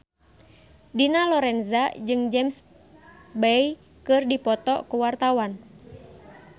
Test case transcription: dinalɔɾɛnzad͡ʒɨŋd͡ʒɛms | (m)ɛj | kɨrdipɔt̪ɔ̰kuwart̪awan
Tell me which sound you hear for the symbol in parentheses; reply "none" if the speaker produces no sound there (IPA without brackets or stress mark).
b